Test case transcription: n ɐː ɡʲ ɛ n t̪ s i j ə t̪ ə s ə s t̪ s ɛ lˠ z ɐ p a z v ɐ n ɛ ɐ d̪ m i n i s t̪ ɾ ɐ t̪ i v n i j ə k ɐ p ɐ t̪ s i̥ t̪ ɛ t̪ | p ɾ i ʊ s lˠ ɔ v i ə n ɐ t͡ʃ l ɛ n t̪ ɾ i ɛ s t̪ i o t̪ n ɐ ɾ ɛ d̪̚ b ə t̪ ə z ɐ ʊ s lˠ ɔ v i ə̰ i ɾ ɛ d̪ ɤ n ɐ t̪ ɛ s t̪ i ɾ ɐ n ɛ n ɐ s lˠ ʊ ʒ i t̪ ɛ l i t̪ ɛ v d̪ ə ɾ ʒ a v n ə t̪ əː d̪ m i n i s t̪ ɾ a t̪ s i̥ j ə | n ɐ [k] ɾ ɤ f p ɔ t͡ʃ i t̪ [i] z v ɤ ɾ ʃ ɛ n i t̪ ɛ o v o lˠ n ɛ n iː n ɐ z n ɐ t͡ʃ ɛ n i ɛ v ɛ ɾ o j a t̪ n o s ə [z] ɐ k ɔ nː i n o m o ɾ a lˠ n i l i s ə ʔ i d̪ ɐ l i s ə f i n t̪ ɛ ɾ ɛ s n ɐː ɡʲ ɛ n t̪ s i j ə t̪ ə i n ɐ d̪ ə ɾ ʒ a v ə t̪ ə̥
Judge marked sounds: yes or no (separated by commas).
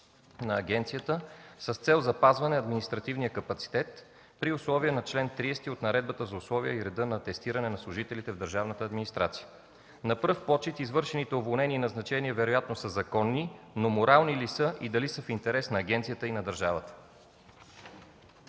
no, yes, yes